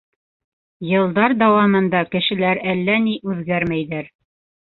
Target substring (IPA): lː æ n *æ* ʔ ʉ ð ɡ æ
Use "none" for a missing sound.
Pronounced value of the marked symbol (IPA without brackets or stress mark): i